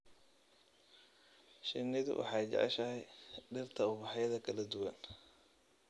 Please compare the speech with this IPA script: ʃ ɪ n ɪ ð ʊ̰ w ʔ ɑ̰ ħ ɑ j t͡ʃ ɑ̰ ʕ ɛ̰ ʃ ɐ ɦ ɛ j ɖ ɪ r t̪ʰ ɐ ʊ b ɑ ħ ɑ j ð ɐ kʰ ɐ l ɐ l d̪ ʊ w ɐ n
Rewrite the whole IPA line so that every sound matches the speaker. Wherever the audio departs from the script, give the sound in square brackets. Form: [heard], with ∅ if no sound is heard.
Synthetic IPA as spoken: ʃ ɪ n ɪ ð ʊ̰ w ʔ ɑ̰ ħ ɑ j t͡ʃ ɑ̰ ʕ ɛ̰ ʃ ɐ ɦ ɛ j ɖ ɪ r t̪ʰ ɐ ʊ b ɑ ħ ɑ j ð ɐ kʰ ɐ l ɐ [∅] d̪ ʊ w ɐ n

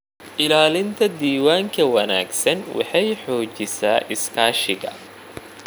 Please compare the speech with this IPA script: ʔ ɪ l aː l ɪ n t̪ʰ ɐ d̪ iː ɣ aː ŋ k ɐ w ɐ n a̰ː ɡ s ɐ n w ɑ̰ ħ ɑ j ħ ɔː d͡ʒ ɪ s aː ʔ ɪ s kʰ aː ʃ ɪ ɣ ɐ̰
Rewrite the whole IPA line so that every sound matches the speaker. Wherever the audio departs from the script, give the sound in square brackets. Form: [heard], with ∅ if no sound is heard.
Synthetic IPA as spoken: ʔ ɪ l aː l ɪ n t̪ʰ ɐ d̪ iː [w] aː ŋ [kʰ] ɐ w ɐ n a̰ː ɡ s ɐ n w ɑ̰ ħ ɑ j ħ ɔː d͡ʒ ɪ s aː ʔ ɪ s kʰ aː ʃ ɪ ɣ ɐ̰

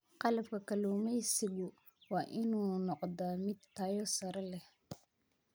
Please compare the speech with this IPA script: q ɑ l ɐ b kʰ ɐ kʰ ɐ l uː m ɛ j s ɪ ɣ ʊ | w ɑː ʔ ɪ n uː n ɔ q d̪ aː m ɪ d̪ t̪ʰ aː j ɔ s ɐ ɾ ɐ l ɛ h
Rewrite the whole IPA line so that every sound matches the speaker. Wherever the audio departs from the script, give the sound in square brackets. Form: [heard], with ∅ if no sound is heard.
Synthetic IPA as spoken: q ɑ l ɐ b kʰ ɐ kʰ ɐ l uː m ɛ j s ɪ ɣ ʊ | w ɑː ʔ ɪ n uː n ɔ q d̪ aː m ɪ d̪ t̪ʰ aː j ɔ s ɐ ɾ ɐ l ɛ h

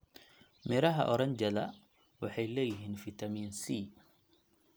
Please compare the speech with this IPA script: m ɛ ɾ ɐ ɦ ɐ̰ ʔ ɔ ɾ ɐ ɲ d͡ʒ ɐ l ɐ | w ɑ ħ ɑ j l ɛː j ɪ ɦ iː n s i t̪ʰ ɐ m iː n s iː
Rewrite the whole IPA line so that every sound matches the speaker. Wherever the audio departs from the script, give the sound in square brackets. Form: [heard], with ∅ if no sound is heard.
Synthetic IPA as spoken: m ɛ ɾ ɐ ɦ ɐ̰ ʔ ɔ ɾ ɐ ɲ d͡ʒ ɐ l ɐ | w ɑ ħ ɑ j l ɛː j ɪ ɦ iː n [f] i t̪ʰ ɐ m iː n s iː

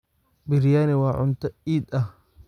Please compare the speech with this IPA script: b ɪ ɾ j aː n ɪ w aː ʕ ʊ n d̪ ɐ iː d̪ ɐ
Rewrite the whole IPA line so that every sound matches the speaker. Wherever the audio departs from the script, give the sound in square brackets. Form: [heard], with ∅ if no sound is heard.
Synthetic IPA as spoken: b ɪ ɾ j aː n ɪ w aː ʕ ʊ n [t̪] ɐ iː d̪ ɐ

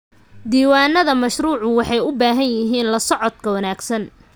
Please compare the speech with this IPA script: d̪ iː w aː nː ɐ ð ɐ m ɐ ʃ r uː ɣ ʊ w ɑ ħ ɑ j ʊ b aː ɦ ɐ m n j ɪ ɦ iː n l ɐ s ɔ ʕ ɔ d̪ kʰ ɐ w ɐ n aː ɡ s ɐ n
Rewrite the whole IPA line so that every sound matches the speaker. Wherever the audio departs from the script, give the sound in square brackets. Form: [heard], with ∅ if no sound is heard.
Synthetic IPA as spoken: d̪ iː w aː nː ɐ ð ɐ m ɐ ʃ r uː [ʕ] ʊ w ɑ ħ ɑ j ʊ b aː ɦ ɐ [∅] n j ɪ ɦ iː n l ɐ s ɔ ʕ ɔ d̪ kʰ ɐ w ɐ n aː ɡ s ɐ n

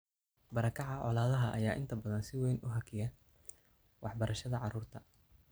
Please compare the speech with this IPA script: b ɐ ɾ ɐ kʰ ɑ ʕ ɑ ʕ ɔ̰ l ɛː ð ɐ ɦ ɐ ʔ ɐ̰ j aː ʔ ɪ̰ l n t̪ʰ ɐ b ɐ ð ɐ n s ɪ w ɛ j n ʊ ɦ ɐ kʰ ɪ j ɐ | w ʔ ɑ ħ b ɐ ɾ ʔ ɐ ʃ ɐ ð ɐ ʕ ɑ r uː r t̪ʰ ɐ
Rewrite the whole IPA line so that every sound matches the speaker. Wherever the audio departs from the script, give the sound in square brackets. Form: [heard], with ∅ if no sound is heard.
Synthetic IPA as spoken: b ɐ ɾ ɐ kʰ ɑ ʕ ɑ ʕ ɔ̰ l [aː] ð ɐ ɦ ɐ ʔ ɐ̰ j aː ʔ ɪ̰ [∅] n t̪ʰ ɐ b ɐ ð ɐ n s ɪ w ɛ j n ʊ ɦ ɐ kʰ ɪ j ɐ | w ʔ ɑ ħ b ɐ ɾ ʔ ɐ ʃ ɐ ð ɐ ʕ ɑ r uː r t̪ʰ ɐ

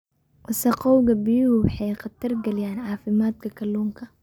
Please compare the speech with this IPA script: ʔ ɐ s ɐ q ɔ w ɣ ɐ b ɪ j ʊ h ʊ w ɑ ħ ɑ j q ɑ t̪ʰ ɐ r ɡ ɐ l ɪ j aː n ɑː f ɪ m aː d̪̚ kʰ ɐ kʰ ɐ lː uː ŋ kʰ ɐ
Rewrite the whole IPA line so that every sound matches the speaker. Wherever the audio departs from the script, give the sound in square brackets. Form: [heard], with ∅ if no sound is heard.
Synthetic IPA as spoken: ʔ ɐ s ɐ q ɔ w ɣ ɐ b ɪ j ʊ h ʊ w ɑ ħ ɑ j q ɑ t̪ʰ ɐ r ɡ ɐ l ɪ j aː n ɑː f ɪ m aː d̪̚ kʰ ɐ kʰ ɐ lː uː ŋ kʰ ɐ

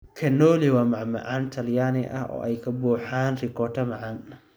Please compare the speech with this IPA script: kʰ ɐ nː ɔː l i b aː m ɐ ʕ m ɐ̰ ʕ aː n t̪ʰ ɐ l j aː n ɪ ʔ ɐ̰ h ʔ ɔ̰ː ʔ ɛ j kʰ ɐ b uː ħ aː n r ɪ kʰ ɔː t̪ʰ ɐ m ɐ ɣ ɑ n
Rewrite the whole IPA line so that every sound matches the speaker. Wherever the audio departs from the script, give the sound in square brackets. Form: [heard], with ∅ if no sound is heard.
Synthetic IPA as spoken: kʰ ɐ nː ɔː l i [w] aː m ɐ ʕ m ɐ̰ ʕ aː n t̪ʰ ɐ l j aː n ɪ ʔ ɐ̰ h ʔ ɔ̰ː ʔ ɛ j kʰ ɐ b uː ħ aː n r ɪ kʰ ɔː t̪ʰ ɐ m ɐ [ʕ] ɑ n

